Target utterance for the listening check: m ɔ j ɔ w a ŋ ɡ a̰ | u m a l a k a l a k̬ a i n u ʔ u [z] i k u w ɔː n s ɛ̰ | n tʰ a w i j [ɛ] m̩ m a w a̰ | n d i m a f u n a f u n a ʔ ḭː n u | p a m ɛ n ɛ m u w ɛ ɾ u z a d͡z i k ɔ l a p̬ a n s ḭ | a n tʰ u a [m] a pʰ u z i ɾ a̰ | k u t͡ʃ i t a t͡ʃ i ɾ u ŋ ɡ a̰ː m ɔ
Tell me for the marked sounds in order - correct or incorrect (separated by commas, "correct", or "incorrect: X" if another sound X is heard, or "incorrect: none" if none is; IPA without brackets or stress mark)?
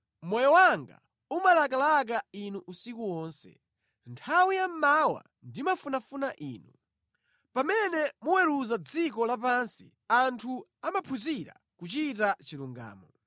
incorrect: s, incorrect: a, correct